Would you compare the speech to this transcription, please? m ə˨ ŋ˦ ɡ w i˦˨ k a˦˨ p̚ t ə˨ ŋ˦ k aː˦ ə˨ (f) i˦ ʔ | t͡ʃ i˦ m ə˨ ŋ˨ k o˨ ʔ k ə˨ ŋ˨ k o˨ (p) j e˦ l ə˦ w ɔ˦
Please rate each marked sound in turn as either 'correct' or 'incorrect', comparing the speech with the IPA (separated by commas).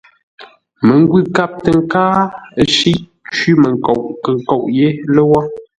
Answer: incorrect, incorrect